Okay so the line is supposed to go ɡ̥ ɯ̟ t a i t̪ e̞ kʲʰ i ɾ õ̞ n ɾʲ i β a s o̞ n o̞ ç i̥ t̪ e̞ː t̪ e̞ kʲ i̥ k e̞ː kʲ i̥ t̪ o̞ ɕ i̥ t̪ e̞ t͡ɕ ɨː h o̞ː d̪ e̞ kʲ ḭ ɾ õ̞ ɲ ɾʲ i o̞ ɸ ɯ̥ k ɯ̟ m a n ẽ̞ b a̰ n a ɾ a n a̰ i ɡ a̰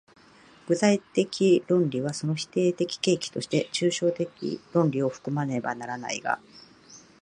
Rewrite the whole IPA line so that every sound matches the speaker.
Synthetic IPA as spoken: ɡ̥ ɯ̟ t a i t̪ e̞ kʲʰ i ɾ õ̞ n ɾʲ i β a s o̞ n o̞ ç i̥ t̪ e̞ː t̪ e̞ kʲ i̥ k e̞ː kʲ i̥ t̪ o̞ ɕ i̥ t̪ e̞ t͡ɕ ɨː ɕ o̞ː t̪ e̞ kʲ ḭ ɾ õ̞ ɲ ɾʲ i o̞ ɸ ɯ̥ k ɯ̟ m a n e̞ b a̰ n a ɾ a n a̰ i ɡ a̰